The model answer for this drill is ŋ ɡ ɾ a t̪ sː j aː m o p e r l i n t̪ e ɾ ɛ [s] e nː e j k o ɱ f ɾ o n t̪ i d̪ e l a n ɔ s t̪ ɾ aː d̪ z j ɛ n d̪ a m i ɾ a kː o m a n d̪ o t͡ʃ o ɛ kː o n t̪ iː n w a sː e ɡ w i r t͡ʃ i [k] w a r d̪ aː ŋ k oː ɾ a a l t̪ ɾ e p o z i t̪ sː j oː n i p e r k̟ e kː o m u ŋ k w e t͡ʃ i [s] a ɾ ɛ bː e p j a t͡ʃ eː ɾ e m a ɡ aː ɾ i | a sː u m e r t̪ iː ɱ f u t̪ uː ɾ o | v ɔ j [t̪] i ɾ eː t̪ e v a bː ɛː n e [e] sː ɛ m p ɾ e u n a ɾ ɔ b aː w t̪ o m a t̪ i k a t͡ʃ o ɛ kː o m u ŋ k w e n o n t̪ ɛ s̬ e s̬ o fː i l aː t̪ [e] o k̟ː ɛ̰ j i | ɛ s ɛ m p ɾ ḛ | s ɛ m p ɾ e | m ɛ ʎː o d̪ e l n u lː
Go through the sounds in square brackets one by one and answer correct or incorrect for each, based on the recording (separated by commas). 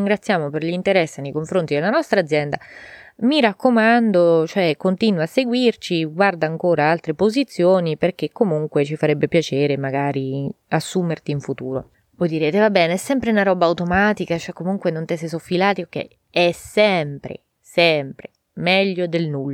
incorrect, incorrect, incorrect, incorrect, incorrect, incorrect